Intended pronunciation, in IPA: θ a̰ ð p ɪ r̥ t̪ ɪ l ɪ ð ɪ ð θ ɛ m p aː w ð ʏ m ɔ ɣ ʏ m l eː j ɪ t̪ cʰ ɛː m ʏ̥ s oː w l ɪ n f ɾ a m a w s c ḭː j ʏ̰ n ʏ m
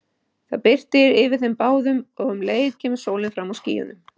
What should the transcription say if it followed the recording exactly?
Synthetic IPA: θ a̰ ð p ɪ r̥ t̪ ɪ ɾ ɪ v ɪ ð θ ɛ m p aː w ð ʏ m ɔ ɣ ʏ m l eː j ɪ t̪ cʰ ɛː m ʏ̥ s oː w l ɪ n f ɾ a m a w s c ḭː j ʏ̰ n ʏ m